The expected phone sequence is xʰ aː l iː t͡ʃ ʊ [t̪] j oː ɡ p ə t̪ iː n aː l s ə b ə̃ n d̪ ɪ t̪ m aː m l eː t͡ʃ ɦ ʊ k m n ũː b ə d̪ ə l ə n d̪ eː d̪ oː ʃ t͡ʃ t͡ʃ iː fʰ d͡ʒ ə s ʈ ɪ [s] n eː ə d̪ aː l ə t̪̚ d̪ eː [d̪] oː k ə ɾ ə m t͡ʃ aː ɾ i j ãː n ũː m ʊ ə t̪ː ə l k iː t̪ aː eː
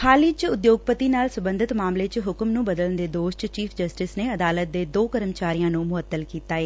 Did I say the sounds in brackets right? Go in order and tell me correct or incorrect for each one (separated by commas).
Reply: incorrect, correct, correct